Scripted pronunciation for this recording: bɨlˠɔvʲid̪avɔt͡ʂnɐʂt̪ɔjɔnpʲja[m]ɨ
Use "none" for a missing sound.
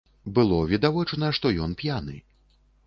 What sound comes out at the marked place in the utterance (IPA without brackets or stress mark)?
n